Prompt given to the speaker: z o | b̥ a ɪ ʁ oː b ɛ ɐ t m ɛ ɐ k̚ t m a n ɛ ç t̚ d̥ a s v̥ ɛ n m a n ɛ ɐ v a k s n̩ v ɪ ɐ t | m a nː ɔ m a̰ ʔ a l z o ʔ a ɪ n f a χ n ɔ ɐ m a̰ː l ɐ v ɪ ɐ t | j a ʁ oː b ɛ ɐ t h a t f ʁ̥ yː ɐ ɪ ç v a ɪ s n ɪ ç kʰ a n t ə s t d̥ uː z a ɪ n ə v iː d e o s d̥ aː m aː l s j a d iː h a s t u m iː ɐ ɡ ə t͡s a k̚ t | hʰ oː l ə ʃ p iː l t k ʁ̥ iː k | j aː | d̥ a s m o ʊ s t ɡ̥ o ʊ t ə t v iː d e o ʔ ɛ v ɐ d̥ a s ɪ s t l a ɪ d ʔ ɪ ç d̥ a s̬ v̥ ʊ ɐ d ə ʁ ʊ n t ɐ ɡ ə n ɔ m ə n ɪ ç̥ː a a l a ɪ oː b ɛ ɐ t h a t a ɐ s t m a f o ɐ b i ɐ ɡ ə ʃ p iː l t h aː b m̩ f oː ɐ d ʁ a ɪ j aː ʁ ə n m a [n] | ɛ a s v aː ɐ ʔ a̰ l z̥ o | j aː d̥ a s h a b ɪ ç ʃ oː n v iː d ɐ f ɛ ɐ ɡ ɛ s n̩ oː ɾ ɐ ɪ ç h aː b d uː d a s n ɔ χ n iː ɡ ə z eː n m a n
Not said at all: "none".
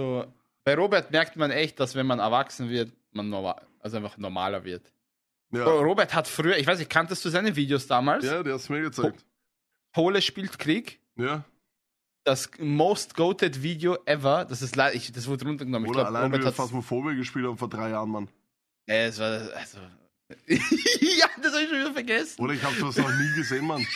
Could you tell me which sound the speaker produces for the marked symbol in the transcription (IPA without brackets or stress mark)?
n